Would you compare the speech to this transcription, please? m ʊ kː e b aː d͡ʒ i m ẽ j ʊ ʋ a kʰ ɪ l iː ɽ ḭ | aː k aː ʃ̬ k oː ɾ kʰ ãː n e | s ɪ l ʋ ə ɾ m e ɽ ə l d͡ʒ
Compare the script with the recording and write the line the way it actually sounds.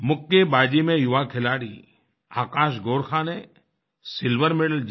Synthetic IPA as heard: m ʊ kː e b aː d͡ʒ i m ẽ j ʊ ʋ a kʰ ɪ l aː ɽ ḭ | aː k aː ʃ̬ ɡ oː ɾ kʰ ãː n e | s ɪ l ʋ ə ɾ m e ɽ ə l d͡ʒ